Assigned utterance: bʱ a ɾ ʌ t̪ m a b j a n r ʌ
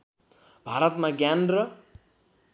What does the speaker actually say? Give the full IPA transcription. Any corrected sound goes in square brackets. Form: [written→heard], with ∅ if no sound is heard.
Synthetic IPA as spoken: bʱ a ɾ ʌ t̪ m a [b→ɡ] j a n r ʌ